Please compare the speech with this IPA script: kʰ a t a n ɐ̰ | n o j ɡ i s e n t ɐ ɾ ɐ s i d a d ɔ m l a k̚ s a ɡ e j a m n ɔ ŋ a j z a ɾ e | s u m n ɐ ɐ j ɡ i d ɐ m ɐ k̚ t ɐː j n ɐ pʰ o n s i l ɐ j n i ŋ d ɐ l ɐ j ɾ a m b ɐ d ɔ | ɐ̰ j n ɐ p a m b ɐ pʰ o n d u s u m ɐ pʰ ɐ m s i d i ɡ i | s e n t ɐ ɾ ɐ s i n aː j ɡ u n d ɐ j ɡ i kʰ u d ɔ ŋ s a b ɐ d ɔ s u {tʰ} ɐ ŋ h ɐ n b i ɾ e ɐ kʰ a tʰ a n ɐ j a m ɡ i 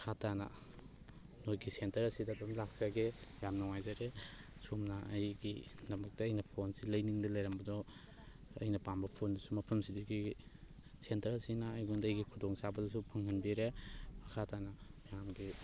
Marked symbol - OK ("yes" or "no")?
no